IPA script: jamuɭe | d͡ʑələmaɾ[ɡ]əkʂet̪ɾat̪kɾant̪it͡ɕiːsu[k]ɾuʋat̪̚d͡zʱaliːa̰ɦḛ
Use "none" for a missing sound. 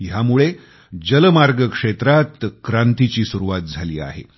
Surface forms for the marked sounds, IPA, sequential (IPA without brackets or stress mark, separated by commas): ɡ, none